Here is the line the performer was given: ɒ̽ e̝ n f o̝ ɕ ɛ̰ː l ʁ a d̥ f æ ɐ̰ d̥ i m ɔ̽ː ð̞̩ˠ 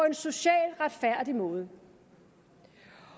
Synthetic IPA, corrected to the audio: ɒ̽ e̝ n s o̝ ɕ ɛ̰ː l ʁ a d̥ f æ ɐ̰ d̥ i m ɔ̽ː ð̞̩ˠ